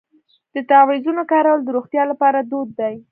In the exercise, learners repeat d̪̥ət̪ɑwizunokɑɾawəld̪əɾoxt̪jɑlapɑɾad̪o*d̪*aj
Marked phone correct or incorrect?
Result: incorrect